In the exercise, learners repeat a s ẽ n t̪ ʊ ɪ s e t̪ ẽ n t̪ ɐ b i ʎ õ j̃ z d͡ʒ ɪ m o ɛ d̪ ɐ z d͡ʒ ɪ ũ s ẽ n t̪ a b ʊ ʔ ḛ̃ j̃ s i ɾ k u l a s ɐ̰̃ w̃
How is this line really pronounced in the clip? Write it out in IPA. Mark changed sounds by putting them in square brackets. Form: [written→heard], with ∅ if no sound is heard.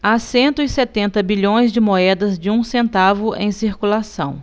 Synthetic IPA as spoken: a s ẽ n t̪ ʊ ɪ s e t̪ ẽ n t̪ ɐ b i ʎ õ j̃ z d͡ʒ ɪ m o ɛ d̪ ɐ z d͡ʒ ɪ ũ s ẽ n t̪ a [b→v] ʊ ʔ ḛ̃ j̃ s i ɾ k u l a s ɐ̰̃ w̃